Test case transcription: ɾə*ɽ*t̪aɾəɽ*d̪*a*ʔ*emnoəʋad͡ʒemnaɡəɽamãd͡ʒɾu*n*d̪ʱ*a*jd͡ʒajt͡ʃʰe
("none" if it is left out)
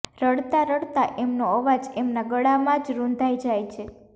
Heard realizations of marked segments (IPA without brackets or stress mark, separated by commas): ɽ, t̪, ʔ, n, a